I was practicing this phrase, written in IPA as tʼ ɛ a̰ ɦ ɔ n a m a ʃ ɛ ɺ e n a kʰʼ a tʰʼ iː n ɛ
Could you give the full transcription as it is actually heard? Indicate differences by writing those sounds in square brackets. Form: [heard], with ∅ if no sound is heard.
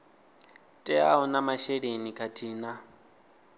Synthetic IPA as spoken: tʼ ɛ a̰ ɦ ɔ n a m a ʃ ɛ ɺ e n [i] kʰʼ a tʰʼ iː n [a]